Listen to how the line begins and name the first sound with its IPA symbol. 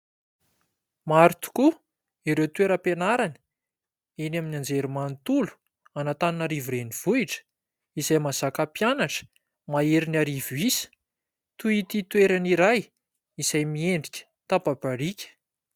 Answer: m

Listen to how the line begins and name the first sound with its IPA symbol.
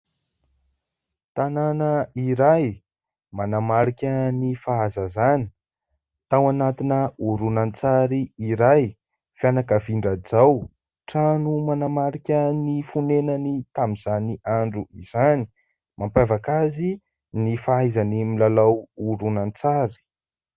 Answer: t̪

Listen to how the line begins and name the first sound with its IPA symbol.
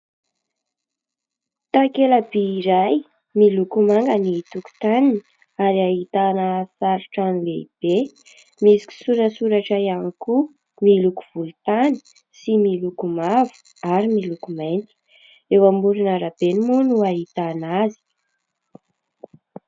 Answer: t̪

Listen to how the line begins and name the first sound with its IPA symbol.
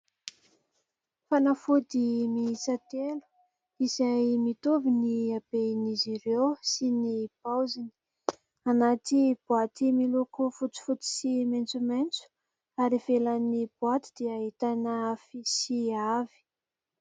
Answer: f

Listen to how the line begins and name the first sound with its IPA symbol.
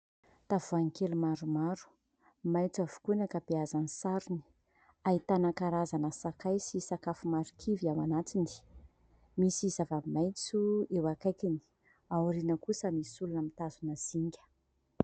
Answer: t̪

